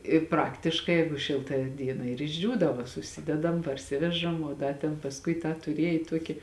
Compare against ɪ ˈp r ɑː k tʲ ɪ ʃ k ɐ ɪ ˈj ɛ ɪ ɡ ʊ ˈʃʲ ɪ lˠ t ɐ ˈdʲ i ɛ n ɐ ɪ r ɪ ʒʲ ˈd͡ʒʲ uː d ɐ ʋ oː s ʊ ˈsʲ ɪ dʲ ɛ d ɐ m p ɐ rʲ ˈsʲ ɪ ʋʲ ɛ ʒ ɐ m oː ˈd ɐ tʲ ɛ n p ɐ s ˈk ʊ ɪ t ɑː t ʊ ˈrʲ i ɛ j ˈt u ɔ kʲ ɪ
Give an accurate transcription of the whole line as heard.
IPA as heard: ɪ ˈp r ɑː k tʲ ɪ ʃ k ɐ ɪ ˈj ɛ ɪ ɡ ʊ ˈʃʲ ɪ lˠ t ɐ ˈdʲ i ɛ n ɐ ɪ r ɪ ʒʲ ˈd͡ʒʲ uː d ɐ ʋ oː s ʊ ˈsʲ ɪ dʲ ɛ d ɐ m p ɐ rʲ ˈsʲ ɪ ʋʲ ɛ ʒ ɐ m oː ˈd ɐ tʲ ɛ n p ɐ s ˈk ʊ ɪ t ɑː t ʊ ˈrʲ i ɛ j ˈt u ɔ kʲ ɪ